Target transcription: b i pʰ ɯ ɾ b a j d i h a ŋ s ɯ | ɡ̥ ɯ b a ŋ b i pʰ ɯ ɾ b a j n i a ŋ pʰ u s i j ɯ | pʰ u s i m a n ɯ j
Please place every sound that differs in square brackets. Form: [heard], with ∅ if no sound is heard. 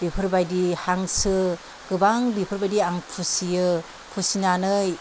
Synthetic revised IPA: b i pʰ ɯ ɾ b a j d i h a ŋ s ɯ | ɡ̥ ɯ b a ŋ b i pʰ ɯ ɾ b a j [d] i a ŋ pʰ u s i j ɯ | pʰ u s i [n] a n ɯ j